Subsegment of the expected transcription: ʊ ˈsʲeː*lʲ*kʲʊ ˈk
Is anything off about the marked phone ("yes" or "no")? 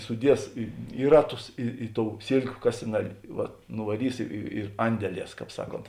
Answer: no